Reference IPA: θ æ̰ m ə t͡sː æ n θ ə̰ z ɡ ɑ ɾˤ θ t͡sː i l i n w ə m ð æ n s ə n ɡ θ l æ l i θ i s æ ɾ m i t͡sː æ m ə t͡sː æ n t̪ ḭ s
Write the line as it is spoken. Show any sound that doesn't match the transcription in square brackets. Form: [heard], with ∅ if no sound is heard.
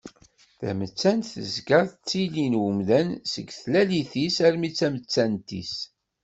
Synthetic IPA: θ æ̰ m ə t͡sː æ n θ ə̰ z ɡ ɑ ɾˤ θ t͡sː i l i n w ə m ð æ n s ə [∅] ɡ θ l æ l i θ i s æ ɾ m i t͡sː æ m ə t͡sː æ n t̪ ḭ s